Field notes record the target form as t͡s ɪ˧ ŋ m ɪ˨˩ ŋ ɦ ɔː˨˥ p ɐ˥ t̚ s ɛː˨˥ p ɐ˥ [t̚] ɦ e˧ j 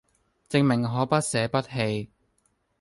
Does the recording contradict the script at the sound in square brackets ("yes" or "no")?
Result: no